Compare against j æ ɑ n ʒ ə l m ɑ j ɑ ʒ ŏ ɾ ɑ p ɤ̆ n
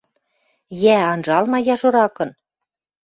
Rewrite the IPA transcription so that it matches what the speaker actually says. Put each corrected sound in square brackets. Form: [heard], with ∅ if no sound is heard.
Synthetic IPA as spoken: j æ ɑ n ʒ [ɑ] l m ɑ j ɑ ʒ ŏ ɾ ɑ [k] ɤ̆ n